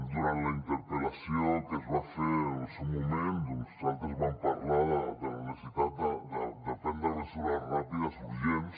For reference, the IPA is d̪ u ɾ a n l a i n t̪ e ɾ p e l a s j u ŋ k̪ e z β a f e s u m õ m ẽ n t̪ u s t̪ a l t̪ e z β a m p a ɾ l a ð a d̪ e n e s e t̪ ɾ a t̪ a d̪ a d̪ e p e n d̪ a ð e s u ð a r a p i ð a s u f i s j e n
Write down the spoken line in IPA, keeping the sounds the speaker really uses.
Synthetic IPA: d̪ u ɾ a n l a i n t̪ e ɾ p e l a s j o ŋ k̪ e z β a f e s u m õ m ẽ n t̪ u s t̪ a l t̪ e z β a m p a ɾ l a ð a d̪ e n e s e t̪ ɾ a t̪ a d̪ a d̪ e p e n d̪ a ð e s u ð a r a p i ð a s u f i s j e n